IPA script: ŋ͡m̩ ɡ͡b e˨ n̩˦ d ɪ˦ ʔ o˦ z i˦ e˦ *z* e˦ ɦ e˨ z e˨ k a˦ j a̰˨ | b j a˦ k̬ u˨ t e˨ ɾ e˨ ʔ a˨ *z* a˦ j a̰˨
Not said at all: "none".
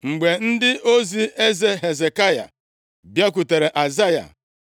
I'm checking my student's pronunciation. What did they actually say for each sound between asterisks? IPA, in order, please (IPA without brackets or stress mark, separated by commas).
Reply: z, z